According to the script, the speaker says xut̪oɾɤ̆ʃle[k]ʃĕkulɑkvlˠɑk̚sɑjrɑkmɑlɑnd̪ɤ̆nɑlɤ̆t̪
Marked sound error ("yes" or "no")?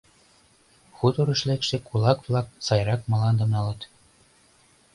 no